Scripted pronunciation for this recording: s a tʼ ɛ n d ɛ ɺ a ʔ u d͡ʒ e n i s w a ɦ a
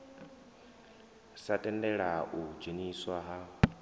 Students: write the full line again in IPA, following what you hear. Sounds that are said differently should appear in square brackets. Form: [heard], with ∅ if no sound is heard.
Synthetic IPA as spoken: s a tʼ ɛ n d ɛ ɺ a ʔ u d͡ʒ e n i s w a ɦ a